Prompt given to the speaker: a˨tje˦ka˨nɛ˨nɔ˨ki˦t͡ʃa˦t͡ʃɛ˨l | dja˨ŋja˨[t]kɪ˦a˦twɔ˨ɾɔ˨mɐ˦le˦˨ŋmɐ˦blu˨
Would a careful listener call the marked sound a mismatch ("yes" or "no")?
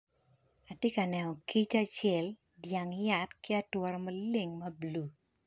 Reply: no